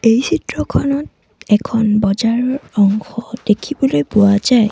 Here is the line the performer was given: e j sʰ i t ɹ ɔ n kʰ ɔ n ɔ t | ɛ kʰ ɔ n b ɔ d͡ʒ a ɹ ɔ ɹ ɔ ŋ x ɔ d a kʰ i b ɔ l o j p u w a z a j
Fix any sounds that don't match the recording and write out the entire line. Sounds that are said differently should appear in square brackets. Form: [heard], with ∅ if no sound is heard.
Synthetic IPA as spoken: e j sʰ i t ɹ ɔ [∅] kʰ ɔ n ɔ t | ɛ kʰ ɔ n b ɔ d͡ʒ a ɹ ɔ ɹ ɔ ŋ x ɔ d [e] kʰ i b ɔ l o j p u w a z a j